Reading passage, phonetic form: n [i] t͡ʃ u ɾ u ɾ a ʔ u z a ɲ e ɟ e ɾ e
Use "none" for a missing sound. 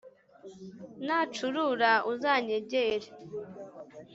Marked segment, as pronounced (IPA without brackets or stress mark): a